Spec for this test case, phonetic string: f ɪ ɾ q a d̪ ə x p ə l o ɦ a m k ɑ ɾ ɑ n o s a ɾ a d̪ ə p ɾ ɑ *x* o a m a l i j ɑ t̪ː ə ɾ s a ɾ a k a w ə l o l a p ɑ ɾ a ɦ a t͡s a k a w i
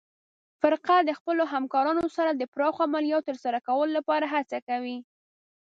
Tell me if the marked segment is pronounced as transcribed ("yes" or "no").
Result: yes